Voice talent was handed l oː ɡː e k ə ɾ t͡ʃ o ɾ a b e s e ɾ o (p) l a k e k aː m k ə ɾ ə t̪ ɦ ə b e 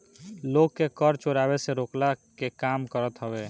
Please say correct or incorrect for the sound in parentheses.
incorrect